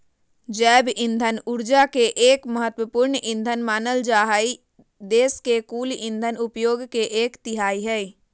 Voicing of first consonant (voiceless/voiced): voiced